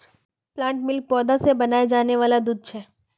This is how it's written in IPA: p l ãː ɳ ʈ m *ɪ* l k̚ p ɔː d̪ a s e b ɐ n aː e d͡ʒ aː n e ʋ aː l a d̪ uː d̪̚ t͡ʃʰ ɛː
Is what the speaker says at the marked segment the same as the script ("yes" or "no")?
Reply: yes